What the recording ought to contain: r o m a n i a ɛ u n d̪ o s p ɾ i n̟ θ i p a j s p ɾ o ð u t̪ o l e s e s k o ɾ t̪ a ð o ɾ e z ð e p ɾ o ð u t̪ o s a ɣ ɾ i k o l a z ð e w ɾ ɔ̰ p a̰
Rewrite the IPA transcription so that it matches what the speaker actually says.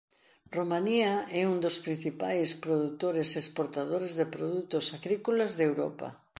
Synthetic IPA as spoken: r o m a n i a ɛ u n d̪ o s p ɾ i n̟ θ i p a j s p ɾ o ð u t̪ o ɾ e s e s p o ɾ t̪ a ð o ɾ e z ð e p ɾ o ð u t̪ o s a ɣ ɾ i k o l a z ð e w ɾ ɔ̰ p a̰